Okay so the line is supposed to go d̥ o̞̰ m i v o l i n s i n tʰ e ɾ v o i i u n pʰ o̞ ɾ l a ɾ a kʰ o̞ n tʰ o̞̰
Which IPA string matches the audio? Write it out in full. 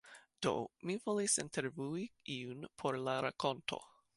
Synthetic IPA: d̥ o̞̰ m i v o l i s i n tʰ e ɾ v u i i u n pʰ o̞ ɾ l a ɾ a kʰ o̞ n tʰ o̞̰

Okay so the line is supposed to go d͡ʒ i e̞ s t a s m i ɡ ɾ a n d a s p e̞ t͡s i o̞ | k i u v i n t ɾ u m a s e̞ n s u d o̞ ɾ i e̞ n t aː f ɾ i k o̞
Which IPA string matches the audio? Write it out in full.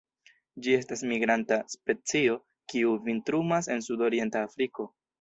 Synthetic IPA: d͡ʒ i e̞ s t a s m i ɡ ɾ a n t a s p e̞ t͡s i o̞ | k i u v i n t ɾ u m a s e̞ n s u d o̞ ɾ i e̞ n t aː f ɾ i k o̞

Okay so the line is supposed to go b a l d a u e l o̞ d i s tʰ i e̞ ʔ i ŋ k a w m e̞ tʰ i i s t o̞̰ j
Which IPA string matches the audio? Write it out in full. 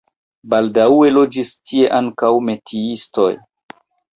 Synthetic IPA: b a l d a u e l o̞ d͡ʒ i s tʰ i e̞ ʔ a ŋ k a w m e̞ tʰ i i s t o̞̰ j

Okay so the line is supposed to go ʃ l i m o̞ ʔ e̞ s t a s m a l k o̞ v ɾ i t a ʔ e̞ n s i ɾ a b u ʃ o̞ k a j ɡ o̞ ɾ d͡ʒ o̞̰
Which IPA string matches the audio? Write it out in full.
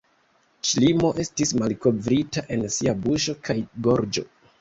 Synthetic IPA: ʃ l i m o̞ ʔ e̞ s t i s m a l k o̞ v ɾ i t a ʔ e̞ n s i a b u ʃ o̞ k a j ɡ o̞ ɾ d͡ʒ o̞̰

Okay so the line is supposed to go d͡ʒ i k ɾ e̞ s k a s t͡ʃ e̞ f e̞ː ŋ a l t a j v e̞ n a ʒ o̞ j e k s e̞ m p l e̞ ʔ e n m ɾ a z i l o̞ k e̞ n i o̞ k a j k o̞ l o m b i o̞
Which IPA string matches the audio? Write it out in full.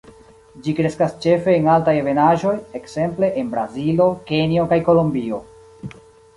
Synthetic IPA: d͡ʒ i k ɾ e̞ s k a s t͡ʃ e̞ f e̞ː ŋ a l t a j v e̞ n a ʒ o̞ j e k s e̞ m p l e̞ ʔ e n b ɾ a z i l o̞ k e̞ n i o̞ k a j k o̞ l o m b i o̞

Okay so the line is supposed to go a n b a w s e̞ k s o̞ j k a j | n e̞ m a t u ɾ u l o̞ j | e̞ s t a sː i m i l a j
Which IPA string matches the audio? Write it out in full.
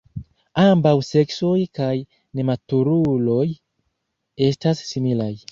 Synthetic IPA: a m b a w s e̞ k s o̞ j k a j | n e̞ m a t u ɾ u l o̞ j | e̞ s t a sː i m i l a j

